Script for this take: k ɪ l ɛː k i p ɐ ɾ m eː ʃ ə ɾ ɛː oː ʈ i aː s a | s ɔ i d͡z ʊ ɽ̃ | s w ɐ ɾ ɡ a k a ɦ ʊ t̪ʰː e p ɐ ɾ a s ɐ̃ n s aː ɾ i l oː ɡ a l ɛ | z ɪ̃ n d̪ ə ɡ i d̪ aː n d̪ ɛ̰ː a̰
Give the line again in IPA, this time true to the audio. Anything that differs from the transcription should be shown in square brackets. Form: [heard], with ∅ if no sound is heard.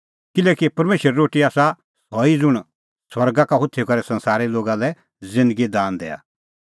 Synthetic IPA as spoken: k ɪ l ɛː k i p ɐ ɾ m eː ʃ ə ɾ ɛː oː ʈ i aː s a | s ɔ i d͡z ʊ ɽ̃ | s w ɐ ɾ ɡ a k a ɦ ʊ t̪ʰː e [k] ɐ ɾ [ɛ] s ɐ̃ n s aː ɾ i l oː ɡ a l ɛ | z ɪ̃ n d̪ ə ɡ i d̪ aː n d̪ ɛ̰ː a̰